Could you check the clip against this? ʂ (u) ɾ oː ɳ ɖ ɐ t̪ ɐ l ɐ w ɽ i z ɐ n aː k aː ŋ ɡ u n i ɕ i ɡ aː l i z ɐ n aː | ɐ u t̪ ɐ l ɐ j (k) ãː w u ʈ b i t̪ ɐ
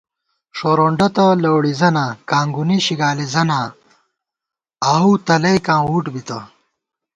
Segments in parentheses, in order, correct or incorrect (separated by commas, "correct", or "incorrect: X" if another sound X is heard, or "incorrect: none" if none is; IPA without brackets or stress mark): incorrect: o, correct